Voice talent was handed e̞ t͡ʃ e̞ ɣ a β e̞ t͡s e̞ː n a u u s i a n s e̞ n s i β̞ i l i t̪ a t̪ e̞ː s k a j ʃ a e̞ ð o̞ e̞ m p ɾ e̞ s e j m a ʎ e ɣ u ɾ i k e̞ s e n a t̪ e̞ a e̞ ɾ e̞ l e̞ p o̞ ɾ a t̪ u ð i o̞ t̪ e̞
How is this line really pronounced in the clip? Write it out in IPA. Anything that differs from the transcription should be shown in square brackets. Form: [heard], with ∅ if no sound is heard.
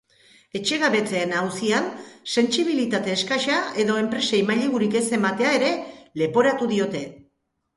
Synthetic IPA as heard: e̞ t͡ʃ e̞ ɣ a β e̞ t͡s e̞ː n a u [w] s i a n s e̞ n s i β̞ i l i t̪ a t̪ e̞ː s k a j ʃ a e̞ ð o̞ e̞ m p ɾ e̞ s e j m a ʎ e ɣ u ɾ i k e̞ s e [m] a t̪ e̞ a e̞ ɾ e̞ l e̞ p o̞ ɾ a t̪ u ð i o̞ t̪ e̞